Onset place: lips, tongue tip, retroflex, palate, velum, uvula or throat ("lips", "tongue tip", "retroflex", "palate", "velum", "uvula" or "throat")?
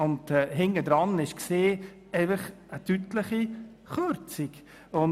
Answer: tongue tip